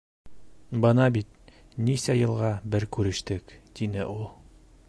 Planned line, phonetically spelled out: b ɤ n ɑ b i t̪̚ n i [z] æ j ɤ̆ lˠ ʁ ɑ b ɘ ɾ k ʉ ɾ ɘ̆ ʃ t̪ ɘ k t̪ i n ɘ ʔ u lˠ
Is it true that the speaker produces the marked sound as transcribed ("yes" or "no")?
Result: no